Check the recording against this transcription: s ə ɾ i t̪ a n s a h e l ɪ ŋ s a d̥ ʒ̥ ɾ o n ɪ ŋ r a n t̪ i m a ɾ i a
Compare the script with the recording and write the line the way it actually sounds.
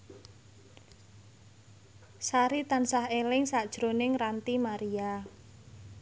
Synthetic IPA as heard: s a ɾ i t̪ a n s a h e l ɪ ŋ s a d̥ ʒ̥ ɾ o n ɪ ŋ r a n t̪ i m a ɾ i a